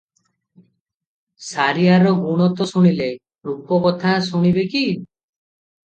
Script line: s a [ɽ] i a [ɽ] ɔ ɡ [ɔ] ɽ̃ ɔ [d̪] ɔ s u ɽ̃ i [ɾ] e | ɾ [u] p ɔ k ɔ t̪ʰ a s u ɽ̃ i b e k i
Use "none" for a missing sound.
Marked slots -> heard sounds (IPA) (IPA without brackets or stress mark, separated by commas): ɾ, ɾ, u, t̪, l, u